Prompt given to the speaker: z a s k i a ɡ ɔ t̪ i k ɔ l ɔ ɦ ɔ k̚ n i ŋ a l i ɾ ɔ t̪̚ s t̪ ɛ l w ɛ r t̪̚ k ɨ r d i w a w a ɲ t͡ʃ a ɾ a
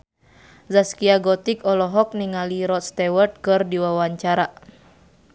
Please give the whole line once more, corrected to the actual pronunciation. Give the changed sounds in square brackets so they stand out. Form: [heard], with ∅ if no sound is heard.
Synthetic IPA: z a s k i a ɡ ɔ t̪ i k ɔ l ɔ ɦ ɔ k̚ n i ŋ a l i ɾ ɔ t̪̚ s t̪ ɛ [∅] w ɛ r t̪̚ k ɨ r d i w a w a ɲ t͡ʃ a ɾ a